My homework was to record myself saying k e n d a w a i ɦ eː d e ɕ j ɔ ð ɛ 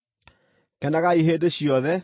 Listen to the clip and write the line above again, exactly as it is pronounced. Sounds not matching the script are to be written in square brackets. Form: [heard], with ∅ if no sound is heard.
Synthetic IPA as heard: k [ɛ] n d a [ɣ] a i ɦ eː d e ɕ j ɔ ð ɛ